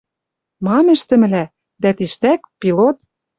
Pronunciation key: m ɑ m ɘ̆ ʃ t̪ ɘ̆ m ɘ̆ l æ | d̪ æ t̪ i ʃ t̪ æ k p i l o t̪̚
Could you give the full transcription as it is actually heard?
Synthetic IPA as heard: m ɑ m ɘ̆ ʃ t̪ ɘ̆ m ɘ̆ l æ | d̪ æ t̪ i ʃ t̪ æ k p i l o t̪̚